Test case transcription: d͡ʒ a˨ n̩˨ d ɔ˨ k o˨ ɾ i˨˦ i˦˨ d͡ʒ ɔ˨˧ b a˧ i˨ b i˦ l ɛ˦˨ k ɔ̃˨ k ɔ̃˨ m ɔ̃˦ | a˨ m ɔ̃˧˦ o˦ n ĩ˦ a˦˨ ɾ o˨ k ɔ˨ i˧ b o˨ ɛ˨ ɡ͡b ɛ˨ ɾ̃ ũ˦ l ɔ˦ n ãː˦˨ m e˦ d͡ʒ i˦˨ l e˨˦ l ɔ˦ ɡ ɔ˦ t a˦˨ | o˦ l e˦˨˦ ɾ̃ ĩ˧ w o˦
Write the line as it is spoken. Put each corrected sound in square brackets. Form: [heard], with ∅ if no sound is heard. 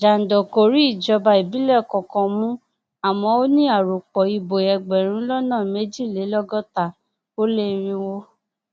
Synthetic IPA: d͡ʒ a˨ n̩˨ d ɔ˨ k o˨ ɾ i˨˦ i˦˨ d͡ʒ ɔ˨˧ b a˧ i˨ b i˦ l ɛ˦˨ k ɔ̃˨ k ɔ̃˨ m [ũ˦] | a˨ m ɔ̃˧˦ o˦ n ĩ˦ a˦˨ ɾ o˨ [k͡p] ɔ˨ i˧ b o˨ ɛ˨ ɡ͡b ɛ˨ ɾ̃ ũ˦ l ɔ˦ n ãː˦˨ m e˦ d͡ʒ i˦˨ l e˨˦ l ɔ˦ ɡ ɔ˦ t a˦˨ | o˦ l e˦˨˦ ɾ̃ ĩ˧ w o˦